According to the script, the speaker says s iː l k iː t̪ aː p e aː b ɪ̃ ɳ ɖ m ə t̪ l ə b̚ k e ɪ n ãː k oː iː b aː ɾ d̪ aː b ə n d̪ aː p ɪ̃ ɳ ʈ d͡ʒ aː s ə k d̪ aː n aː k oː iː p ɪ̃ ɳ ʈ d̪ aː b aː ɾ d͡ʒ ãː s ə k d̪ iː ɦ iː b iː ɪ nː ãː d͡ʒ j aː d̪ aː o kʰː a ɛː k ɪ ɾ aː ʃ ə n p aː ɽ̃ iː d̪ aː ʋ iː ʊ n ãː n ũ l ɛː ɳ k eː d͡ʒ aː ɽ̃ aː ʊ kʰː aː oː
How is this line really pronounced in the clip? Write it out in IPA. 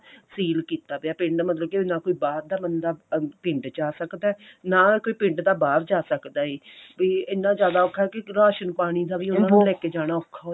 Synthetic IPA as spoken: s iː l k iː t̪ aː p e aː p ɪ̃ ɳ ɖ m ə t̪ l ə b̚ k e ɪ n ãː k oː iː b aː ɾ d̪ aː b ə n d̪ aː p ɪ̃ ɳ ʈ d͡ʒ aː s ə k d̪ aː n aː k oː iː p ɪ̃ ɳ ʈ d̪ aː b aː ɾ d͡ʒ aː s ə k d̪ aː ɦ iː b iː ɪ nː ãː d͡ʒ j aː d̪ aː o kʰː a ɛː k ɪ ɾ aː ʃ ə n p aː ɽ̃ iː d̪ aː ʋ iː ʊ n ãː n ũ l ɛː k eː d͡ʒ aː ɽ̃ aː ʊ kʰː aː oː